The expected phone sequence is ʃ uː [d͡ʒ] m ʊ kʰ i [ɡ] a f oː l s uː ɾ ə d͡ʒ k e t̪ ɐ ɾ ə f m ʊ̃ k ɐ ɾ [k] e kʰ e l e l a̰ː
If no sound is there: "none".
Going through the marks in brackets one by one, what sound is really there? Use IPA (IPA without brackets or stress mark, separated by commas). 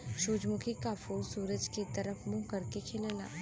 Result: d͡ʒ, k, k